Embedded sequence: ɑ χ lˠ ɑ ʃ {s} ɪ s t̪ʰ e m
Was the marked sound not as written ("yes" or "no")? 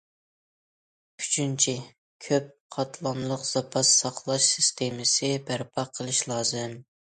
no